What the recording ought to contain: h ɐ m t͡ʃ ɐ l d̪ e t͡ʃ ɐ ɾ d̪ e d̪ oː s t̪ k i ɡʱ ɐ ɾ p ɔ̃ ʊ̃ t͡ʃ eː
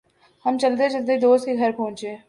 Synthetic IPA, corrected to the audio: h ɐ m t͡ʃ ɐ l d̪ e t͡ʃ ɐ l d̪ e d̪ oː s t̪ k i ɡʱ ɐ ɾ p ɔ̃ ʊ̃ t͡ʃ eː